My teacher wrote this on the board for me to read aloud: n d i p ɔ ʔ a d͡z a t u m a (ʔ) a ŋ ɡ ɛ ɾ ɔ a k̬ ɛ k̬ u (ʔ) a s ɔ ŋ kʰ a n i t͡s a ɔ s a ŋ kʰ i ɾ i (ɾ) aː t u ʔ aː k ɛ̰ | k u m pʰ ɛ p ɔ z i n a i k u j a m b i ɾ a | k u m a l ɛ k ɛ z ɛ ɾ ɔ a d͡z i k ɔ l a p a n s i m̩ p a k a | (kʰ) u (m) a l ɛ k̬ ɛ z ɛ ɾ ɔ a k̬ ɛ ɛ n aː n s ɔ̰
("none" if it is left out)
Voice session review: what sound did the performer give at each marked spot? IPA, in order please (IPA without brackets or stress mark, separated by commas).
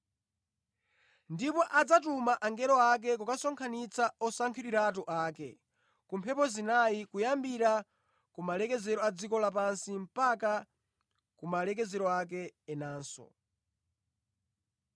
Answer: ʔ, k, ɾ, k, m